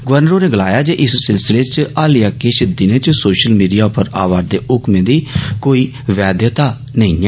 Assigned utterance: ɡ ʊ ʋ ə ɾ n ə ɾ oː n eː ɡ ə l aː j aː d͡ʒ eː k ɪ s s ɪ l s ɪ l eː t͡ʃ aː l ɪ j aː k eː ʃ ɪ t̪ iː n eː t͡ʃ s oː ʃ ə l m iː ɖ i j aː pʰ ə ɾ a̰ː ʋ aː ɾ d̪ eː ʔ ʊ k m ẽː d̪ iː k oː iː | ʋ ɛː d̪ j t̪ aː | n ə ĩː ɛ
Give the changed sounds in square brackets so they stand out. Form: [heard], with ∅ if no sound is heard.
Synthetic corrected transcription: ɡ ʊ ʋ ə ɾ n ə ɾ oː n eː ɡ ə l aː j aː d͡ʒ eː [ʔ] ɪ s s ɪ l s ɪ l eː t͡ʃ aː l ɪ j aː k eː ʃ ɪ [d̪] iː n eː t͡ʃ s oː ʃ ə l m iː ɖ i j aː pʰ ə ɾ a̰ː ʋ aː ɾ d̪ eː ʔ ʊ k m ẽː d̪ iː k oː iː | ʋ ɛː d̪ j t̪ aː | n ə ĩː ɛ